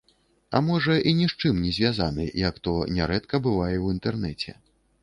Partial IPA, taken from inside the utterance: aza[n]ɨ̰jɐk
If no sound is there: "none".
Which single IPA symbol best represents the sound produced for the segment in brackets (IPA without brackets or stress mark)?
n